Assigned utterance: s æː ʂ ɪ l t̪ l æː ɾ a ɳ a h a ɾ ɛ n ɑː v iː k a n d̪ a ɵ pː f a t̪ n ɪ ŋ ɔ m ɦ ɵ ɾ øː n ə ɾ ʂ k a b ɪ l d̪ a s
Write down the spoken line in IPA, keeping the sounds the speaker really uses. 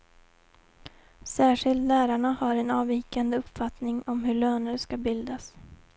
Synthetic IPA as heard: s æː ʂ ɪ l t̪ l æː ɾ a ɳ a h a ɾ ɛ n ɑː v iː k a n d̪ ə ɵ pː f a t̪ n ɪ ŋ ɔ m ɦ ɵ ɭ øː n ə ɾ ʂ k a b ɪ l d̪ a s